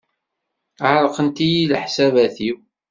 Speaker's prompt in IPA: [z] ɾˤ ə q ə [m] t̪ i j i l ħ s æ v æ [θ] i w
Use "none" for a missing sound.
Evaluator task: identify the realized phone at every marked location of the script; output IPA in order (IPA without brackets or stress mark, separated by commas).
ʕ, n, θ